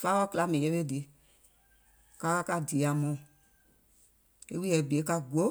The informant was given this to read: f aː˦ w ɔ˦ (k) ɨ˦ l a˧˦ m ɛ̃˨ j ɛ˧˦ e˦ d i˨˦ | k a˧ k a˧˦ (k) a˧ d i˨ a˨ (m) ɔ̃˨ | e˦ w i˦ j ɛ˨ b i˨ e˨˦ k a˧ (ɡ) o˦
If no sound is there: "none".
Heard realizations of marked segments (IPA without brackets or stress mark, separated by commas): k, k, m, ɡ